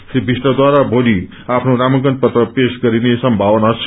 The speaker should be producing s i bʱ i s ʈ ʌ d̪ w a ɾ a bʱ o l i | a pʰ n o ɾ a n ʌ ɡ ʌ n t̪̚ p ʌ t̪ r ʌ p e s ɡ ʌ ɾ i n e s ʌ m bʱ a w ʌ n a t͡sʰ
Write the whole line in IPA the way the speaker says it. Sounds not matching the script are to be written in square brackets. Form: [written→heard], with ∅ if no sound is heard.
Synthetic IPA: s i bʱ i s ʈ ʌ d̪ w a ɾ a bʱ o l i | a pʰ n o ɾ a [n→m] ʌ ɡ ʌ n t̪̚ p ʌ t̪ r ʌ p e s ɡ ʌ ɾ i n e s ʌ m bʱ a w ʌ n a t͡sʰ